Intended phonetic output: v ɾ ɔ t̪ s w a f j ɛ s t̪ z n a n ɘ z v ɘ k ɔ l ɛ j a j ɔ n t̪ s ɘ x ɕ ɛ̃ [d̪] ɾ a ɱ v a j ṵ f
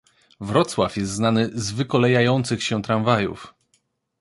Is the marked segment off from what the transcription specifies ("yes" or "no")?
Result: yes